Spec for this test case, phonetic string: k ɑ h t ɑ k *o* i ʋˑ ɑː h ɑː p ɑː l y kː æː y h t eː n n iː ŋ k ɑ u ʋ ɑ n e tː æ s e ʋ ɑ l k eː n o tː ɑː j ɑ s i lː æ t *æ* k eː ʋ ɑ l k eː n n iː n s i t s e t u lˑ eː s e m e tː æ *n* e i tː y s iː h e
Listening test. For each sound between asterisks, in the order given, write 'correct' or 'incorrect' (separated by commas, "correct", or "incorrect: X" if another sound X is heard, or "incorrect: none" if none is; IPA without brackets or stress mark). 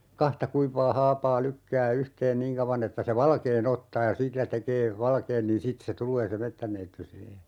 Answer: incorrect: u, incorrect: e, incorrect: nː